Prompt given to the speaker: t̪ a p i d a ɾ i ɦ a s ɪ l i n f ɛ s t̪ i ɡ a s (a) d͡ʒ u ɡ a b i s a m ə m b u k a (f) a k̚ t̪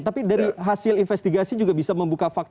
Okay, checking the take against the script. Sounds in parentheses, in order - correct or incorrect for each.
incorrect, correct

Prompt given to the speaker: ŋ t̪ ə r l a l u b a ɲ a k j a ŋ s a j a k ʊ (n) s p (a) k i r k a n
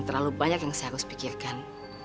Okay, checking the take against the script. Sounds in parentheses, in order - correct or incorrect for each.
incorrect, incorrect

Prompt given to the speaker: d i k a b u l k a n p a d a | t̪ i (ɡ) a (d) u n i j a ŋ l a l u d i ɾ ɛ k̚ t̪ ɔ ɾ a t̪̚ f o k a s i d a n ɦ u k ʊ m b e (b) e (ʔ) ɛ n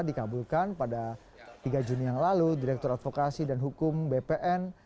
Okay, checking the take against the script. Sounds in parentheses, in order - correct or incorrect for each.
correct, incorrect, incorrect, correct

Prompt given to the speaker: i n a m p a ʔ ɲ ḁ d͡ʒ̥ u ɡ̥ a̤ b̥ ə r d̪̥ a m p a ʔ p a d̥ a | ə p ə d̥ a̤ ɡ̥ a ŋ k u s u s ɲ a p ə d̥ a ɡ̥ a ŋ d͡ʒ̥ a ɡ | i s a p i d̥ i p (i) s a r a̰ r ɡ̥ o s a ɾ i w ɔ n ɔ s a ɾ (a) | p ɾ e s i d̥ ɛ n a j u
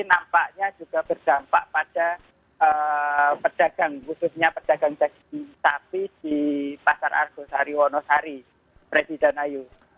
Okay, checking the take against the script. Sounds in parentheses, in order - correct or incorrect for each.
incorrect, incorrect

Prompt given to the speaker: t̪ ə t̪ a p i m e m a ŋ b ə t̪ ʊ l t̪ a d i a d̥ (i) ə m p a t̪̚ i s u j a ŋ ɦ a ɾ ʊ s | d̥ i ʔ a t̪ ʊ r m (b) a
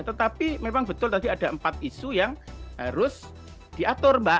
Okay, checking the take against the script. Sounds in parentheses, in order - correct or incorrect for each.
incorrect, correct

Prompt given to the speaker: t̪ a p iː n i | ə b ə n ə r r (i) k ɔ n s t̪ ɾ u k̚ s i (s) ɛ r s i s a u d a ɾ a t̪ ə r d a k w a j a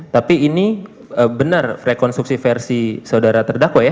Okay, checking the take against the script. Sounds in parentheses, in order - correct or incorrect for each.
incorrect, incorrect

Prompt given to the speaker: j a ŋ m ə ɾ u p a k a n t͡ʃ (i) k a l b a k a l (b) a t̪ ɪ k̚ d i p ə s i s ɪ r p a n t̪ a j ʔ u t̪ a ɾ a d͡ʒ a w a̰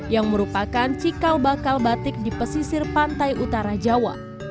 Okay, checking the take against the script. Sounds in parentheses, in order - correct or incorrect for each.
correct, correct

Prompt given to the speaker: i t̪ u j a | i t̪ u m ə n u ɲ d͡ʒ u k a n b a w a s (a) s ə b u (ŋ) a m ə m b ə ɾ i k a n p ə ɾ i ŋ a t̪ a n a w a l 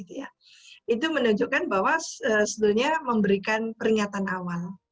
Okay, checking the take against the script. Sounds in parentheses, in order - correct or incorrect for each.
incorrect, incorrect

